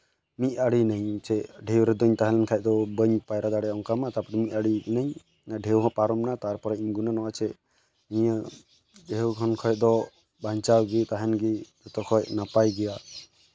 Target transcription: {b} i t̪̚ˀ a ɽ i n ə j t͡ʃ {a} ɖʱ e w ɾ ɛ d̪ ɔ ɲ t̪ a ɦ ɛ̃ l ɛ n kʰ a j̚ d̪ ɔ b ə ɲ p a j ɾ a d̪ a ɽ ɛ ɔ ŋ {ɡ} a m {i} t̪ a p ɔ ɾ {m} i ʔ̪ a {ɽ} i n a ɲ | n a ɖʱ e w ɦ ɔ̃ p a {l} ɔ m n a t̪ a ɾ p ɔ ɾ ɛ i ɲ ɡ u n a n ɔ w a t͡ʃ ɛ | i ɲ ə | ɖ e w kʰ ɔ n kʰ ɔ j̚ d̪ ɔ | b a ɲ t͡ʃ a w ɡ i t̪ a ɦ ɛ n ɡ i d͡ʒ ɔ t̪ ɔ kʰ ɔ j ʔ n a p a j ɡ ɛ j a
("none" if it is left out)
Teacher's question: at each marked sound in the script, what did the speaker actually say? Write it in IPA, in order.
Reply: m, ɛ, k, a, m, ɽ, ɾ

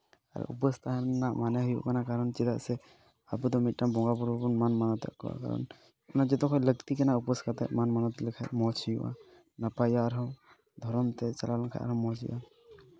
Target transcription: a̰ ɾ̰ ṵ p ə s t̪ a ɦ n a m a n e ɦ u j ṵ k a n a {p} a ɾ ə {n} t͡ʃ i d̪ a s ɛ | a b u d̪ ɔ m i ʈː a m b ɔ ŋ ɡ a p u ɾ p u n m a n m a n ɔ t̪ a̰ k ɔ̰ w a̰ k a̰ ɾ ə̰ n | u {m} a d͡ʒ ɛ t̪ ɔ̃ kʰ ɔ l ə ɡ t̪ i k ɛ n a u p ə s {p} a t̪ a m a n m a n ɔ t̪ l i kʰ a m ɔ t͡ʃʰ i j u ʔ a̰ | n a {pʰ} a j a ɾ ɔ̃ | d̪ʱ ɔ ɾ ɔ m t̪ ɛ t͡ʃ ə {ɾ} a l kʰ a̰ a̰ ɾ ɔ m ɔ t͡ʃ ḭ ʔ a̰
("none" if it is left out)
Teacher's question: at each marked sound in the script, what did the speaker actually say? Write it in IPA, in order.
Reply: k, n, n, k, p, l

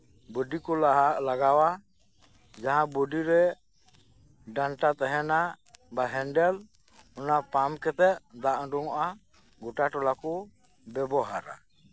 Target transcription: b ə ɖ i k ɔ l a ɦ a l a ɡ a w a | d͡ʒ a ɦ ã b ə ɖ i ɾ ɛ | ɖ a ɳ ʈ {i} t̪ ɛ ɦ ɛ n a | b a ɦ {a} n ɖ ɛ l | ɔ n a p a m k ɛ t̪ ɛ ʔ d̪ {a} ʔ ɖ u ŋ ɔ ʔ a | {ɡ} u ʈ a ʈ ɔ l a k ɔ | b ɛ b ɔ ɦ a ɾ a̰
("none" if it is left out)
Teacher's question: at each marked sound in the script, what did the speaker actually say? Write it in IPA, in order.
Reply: a, ɛ, a, ɡ

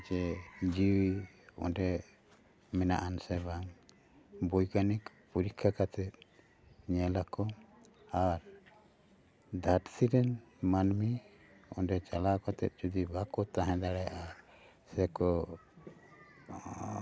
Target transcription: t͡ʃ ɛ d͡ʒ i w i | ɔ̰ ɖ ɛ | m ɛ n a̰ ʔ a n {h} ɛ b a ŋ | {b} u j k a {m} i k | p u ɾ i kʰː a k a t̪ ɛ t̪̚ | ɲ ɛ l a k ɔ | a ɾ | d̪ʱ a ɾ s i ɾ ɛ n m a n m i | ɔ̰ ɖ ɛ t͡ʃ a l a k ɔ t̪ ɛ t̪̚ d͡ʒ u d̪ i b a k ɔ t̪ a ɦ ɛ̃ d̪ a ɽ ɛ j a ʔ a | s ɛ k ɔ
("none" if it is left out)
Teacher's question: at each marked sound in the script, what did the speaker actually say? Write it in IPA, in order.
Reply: s, b, n

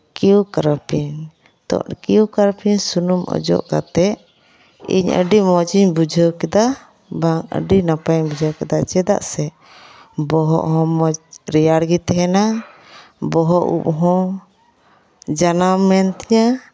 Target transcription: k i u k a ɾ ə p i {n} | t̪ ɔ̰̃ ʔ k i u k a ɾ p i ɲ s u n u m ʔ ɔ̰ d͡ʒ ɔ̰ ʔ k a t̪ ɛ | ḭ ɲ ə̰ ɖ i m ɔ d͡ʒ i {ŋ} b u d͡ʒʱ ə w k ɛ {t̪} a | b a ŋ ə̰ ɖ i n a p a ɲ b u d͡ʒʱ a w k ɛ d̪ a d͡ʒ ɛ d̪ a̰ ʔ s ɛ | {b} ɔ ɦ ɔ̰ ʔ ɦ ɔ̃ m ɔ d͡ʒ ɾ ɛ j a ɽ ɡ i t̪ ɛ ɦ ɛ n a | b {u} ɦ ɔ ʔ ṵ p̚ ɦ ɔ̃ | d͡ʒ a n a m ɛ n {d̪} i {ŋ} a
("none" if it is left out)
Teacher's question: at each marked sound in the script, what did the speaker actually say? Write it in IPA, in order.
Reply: ɲ, ɲ, d̪, b, ɔ, t̪, ɲ

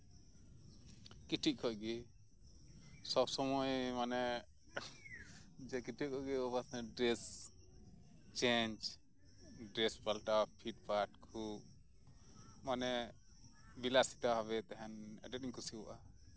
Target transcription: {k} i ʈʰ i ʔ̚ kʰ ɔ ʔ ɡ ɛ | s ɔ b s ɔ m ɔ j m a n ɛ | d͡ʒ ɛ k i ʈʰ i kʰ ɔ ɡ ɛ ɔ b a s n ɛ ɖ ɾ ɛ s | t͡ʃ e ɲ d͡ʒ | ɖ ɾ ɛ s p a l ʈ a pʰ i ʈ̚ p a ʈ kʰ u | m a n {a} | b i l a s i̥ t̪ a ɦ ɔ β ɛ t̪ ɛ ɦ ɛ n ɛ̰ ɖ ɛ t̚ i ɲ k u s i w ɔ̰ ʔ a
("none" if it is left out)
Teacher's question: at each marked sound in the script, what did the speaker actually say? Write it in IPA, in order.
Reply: k, ɛ

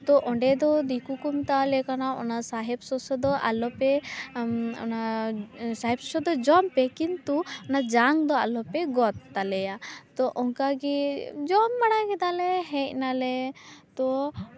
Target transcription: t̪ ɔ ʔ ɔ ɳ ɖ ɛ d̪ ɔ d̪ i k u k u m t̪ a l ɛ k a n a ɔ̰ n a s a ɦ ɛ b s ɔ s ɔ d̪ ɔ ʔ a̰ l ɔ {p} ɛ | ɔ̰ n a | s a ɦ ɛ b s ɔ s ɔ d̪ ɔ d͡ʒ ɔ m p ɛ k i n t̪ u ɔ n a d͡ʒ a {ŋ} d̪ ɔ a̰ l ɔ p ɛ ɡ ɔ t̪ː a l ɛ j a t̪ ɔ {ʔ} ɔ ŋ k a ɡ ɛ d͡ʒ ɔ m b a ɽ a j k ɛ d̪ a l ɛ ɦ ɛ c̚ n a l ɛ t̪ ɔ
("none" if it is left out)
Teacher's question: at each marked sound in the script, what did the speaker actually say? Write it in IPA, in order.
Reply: p, ŋ, ʔ

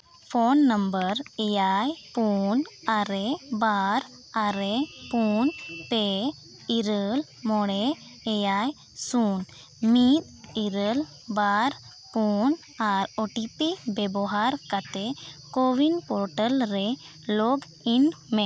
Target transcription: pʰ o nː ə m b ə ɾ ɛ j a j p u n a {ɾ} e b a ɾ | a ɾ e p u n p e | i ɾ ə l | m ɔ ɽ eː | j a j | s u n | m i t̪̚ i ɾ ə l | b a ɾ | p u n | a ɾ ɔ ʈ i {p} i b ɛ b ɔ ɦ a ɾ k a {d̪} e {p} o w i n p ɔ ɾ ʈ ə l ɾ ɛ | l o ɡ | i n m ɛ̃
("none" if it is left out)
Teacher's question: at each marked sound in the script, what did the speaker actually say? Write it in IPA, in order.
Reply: ɾ, p, t̪, k

